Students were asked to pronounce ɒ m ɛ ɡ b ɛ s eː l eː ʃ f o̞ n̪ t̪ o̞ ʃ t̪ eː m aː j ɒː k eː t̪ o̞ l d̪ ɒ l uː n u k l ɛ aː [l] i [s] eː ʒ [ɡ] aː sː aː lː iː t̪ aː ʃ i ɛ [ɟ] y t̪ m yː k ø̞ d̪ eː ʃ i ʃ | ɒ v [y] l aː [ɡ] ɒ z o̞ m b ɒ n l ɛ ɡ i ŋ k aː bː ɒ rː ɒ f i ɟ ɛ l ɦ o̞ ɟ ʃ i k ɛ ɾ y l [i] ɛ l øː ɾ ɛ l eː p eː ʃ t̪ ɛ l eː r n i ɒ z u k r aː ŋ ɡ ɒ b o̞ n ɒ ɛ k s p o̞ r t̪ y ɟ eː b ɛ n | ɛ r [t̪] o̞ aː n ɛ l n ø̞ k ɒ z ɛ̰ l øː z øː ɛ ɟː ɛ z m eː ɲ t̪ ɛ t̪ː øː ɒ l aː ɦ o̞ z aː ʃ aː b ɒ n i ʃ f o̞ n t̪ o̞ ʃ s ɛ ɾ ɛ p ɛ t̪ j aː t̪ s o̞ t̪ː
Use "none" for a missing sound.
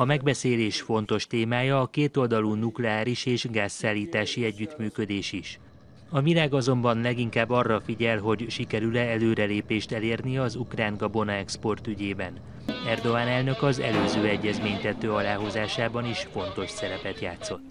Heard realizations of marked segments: ɾ, ʃ, ɡ, ɟː, i, ɡ, ɛ, d̪

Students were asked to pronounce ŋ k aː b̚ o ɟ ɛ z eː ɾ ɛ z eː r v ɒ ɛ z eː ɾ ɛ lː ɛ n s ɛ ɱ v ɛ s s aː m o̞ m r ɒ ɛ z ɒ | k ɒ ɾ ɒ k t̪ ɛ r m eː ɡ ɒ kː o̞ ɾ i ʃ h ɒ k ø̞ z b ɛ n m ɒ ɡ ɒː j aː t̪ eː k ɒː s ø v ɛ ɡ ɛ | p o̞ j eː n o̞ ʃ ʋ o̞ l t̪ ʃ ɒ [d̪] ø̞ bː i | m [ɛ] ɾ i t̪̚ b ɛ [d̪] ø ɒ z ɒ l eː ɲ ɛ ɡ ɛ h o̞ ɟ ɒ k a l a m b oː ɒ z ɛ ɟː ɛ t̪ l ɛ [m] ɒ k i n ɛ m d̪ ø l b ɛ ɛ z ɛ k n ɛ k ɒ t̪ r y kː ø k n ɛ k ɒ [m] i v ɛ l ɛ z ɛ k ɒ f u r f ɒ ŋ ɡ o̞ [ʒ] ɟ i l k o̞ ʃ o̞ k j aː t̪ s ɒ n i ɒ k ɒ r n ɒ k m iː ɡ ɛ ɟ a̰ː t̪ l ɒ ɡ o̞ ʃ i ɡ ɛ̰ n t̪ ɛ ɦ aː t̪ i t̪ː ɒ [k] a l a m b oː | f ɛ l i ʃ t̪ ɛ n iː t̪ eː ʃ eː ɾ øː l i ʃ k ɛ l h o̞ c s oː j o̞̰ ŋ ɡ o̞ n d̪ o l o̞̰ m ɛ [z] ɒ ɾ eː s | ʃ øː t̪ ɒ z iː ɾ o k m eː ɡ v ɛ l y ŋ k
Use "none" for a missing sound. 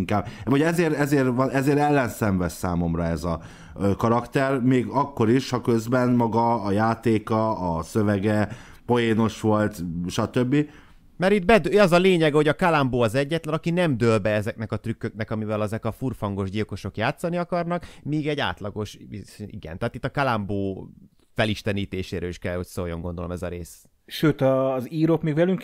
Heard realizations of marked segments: t̪, ɛ, d̪, n, m, ʒ, k, z

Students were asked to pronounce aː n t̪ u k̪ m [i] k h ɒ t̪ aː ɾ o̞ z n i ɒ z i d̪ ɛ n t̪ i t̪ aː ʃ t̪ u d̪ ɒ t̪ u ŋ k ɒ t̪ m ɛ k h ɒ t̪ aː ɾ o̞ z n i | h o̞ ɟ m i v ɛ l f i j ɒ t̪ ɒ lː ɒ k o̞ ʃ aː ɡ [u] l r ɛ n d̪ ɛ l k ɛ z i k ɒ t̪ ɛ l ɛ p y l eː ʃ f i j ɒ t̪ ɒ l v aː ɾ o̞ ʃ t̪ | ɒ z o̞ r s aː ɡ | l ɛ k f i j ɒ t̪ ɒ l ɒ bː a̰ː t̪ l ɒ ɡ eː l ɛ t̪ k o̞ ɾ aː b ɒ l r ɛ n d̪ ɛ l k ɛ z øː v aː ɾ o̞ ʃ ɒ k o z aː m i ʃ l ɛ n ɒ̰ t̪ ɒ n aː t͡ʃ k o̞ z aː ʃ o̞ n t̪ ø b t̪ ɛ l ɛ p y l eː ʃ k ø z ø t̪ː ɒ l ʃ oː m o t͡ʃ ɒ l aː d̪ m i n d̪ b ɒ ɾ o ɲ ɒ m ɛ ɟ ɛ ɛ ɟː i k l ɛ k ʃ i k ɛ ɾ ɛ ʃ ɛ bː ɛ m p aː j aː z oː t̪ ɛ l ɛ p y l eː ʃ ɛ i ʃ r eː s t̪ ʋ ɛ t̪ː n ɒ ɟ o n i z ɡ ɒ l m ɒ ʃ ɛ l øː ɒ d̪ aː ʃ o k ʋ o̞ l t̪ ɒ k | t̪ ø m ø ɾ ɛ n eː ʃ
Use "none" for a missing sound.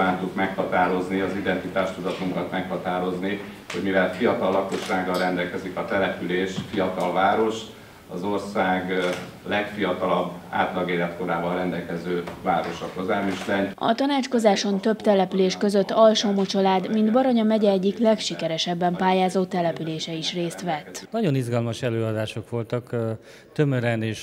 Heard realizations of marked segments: ɛ, ɒ

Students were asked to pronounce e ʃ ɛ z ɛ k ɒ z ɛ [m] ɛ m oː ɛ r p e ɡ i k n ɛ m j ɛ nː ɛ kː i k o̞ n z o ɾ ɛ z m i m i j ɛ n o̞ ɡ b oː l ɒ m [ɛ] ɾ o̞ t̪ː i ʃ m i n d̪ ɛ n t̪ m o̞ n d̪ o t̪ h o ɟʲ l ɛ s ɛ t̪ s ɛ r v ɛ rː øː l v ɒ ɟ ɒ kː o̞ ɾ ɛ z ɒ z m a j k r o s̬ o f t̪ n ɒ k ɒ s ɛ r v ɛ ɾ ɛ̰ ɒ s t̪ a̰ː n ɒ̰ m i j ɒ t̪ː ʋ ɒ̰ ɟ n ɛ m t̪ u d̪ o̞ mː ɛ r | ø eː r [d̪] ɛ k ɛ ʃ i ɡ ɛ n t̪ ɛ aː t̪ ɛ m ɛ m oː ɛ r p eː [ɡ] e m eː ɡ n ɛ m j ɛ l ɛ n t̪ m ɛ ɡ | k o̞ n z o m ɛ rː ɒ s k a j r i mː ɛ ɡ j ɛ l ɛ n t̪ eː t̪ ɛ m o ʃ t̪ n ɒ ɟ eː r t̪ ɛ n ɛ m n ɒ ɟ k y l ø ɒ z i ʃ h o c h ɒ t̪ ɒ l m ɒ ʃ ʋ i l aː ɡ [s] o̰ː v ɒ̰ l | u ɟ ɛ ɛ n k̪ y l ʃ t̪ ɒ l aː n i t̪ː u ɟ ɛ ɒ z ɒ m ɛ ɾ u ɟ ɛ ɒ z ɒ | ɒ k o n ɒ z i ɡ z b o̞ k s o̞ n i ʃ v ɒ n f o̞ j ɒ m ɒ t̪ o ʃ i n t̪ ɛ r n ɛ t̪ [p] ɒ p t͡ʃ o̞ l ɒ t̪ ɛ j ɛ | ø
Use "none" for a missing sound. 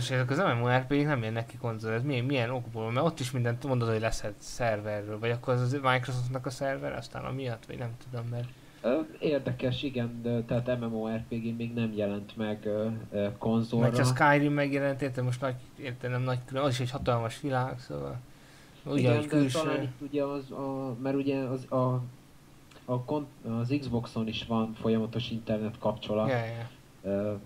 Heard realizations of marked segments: m, ɛ, d̪, ɡ, s, k

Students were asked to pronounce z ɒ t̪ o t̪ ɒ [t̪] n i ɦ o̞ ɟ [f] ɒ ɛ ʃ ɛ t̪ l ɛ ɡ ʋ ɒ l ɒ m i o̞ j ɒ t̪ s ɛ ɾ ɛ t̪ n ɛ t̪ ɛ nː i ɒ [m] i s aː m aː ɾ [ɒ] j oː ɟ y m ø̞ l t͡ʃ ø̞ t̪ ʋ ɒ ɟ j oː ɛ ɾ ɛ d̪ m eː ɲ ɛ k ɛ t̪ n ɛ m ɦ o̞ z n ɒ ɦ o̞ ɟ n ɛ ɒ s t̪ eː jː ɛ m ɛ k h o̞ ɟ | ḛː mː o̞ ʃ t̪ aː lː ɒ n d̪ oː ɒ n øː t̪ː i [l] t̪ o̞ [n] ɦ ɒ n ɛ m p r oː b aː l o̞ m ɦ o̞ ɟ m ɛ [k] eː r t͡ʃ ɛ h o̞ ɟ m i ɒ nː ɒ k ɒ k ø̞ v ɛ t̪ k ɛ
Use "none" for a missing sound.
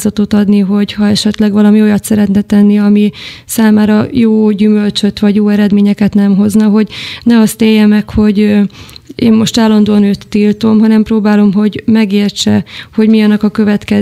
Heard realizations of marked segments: d̪, h, m, ɒ, l, m, ɡ

